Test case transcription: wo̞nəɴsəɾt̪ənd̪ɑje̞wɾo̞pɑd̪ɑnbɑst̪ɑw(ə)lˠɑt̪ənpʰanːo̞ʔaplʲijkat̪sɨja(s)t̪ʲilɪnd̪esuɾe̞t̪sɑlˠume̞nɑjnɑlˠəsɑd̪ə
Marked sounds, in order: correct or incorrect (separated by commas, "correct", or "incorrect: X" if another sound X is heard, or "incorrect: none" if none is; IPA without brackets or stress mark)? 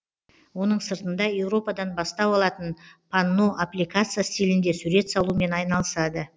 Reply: incorrect: ɑ, correct